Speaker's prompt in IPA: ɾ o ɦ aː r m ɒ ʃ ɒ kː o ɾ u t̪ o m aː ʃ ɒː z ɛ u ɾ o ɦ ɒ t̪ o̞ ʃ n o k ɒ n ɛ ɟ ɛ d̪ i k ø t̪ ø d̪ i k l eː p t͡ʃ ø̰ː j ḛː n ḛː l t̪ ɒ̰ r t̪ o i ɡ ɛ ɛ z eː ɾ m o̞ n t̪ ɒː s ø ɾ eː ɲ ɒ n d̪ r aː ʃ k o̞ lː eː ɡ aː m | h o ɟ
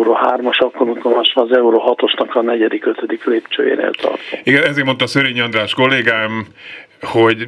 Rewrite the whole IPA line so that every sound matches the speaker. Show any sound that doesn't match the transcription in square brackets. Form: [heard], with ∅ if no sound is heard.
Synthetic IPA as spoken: ɾ o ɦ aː r m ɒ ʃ ɒ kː o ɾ u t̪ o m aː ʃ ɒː z ɛ u ɾ o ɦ ɒ t̪ o̞ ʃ n [ɒ] k ɒ n ɛ ɟ ɛ d̪ i k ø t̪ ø d̪ i k l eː p t͡ʃ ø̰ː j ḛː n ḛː l t̪ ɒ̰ r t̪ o i ɡ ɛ ɛ z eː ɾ m o̞ n t̪ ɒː s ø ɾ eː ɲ ɒ n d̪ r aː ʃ k o̞ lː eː ɡ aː m | h o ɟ